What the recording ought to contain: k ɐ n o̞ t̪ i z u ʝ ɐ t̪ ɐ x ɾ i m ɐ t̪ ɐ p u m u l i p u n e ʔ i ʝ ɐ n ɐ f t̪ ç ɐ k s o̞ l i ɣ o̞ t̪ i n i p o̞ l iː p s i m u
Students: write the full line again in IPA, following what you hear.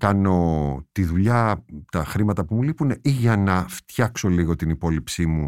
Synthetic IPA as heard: k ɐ n o̞ t̪ i ð u ʎ ɐ t̪ ɐ x ɾ i m ɐ t̪ ɐ p u m u l i p u n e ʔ i ʝ ɐ n ɐ f t̪ ç ɐ k s o̞ l i ɣ o̞ t̪ i n i p o̞ l i p s i m u